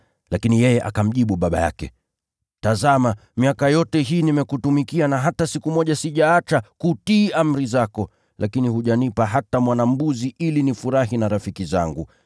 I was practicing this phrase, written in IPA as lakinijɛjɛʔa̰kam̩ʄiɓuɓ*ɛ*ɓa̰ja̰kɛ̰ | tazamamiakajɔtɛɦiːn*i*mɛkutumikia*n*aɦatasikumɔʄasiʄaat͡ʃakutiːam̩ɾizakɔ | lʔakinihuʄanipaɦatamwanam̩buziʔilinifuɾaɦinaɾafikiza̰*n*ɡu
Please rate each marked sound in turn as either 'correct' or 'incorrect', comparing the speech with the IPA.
incorrect, correct, correct, incorrect

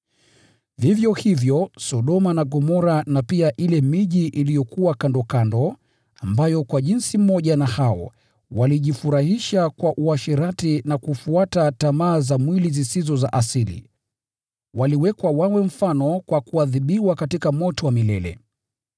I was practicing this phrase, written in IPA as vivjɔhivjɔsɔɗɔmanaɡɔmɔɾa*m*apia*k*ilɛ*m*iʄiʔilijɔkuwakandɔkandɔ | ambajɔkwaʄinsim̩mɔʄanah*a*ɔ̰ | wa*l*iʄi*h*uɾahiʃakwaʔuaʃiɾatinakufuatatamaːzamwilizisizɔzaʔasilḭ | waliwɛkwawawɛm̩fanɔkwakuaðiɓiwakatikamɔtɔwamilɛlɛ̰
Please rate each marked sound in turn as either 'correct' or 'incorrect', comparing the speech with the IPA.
incorrect, incorrect, correct, correct, correct, incorrect

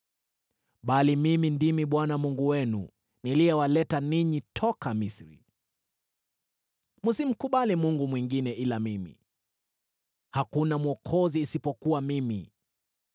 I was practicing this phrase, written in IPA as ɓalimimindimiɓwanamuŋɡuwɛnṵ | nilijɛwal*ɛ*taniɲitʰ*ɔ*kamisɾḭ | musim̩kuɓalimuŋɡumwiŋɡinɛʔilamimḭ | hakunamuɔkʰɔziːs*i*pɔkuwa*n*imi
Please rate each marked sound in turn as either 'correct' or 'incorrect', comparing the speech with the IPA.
correct, correct, correct, incorrect

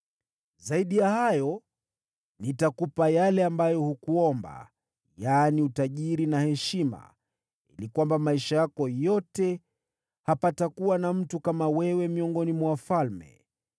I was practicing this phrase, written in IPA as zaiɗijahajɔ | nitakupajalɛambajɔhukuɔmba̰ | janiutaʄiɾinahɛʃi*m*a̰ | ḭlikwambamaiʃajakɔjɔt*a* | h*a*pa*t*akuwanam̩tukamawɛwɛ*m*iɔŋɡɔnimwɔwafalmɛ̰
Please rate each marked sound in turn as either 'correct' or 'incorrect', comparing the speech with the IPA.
correct, incorrect, correct, correct, correct

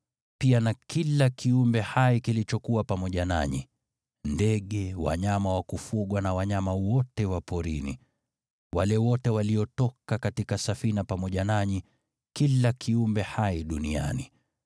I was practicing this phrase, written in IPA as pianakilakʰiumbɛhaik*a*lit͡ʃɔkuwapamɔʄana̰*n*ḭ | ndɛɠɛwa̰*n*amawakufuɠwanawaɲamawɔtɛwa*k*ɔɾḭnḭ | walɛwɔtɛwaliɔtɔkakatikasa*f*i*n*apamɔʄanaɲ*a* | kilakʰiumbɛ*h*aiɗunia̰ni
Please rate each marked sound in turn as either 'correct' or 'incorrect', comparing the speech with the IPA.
incorrect, incorrect, incorrect, incorrect, correct, correct, incorrect, correct

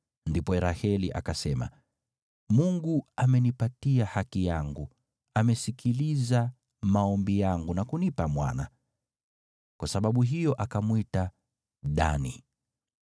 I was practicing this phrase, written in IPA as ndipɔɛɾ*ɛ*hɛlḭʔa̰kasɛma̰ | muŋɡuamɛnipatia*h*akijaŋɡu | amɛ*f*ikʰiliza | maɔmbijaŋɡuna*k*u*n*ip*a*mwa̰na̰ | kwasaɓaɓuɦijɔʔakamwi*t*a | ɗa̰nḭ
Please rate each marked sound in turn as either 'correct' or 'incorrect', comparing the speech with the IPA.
incorrect, correct, incorrect, correct, correct, correct, correct

